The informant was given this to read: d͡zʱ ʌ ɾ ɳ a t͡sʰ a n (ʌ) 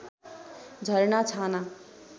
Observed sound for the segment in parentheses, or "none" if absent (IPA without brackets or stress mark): a